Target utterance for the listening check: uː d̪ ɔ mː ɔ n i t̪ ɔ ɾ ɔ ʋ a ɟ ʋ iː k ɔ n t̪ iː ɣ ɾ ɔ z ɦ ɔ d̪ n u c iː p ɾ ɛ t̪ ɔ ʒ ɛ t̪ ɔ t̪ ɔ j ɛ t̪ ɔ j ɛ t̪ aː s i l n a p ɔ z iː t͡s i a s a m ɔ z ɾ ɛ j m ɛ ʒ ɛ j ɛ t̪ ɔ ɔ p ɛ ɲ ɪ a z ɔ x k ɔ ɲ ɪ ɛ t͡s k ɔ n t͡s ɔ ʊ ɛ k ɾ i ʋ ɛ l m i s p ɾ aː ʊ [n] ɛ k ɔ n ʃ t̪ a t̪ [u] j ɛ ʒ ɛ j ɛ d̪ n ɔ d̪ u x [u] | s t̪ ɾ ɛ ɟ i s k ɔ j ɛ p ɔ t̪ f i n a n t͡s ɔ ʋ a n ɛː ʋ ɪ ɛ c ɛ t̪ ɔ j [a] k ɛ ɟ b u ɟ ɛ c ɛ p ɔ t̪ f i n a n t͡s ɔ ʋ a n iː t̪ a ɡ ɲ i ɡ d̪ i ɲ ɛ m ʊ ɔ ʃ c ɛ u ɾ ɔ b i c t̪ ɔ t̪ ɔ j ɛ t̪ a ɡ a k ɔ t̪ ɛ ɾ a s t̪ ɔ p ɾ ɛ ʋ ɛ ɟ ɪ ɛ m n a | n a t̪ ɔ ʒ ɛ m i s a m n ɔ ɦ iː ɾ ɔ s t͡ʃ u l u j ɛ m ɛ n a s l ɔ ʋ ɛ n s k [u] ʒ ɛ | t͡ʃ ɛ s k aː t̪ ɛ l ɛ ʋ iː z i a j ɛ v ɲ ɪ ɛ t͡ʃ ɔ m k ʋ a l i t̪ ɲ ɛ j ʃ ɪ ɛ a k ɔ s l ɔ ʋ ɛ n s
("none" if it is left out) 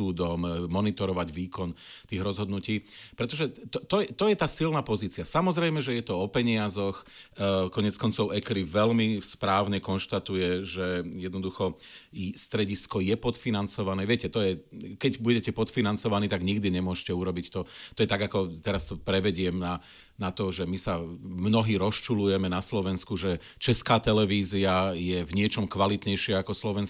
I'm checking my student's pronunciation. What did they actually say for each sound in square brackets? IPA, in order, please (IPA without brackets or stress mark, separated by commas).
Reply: ɲ, u, ɔ, ɛ, u